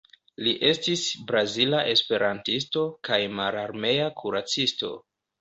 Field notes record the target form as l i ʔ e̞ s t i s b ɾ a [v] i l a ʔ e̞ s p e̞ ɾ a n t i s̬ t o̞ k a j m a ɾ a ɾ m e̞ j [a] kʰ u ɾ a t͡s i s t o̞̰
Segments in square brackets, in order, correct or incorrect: incorrect: z, correct

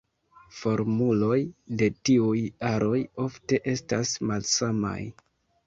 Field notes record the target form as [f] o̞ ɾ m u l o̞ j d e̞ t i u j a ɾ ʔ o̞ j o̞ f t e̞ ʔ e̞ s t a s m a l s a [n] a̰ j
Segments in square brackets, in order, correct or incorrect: correct, incorrect: m

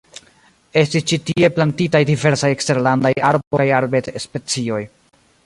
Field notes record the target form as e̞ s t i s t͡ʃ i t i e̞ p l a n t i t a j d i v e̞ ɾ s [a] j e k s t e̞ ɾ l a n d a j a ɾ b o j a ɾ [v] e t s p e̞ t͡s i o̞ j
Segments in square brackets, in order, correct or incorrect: correct, incorrect: b

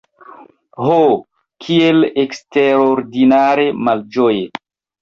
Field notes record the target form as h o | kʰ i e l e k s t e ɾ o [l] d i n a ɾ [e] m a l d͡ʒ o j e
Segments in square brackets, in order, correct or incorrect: incorrect: ɾ, correct

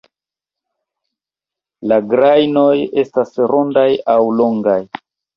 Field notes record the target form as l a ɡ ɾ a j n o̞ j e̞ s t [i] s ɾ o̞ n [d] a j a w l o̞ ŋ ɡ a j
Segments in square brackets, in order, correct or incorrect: incorrect: a, correct

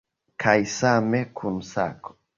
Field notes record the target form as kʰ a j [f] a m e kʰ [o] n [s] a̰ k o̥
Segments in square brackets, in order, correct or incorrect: incorrect: s, incorrect: u, correct

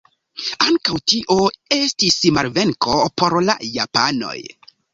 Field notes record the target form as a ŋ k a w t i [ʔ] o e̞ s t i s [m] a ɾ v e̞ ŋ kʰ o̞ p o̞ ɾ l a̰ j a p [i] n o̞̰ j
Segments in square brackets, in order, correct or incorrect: correct, correct, incorrect: a

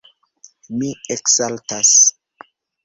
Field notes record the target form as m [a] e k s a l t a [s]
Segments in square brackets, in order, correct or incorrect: incorrect: i, correct

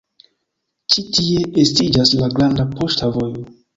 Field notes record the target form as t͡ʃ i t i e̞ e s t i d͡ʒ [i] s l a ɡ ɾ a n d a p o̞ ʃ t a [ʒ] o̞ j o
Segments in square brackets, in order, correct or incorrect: incorrect: a, incorrect: v

